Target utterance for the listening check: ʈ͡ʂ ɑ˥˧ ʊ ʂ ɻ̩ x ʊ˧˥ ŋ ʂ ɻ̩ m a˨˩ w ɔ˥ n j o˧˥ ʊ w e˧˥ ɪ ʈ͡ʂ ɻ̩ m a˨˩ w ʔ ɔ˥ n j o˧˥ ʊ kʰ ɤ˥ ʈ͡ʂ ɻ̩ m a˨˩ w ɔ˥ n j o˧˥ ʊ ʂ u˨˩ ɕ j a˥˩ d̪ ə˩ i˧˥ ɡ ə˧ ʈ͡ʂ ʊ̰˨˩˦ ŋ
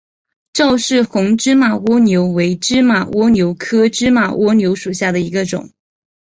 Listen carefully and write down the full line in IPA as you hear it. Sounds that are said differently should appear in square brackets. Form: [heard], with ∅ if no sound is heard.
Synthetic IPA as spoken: ʈ͡ʂ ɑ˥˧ ʊ ʂ ɻ̩ x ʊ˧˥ ŋ [ʈ͡ʂ] ɻ̩ m a˨˩ w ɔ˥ n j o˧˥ ʊ w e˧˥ ɪ ʈ͡ʂ ɻ̩ m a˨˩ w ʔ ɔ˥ n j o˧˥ ʊ kʰ ɤ˥ ʈ͡ʂ ɻ̩ m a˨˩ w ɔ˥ n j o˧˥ ʊ ʂ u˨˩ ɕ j a˥˩ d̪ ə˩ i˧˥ ɡ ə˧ ʈ͡ʂ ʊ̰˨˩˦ ŋ